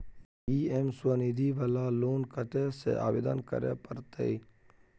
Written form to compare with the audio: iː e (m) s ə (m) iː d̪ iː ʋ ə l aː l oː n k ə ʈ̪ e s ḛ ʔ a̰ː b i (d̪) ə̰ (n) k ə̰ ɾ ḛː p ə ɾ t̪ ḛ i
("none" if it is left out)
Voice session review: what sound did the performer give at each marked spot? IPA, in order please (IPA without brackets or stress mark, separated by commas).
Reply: m, n, d̪, n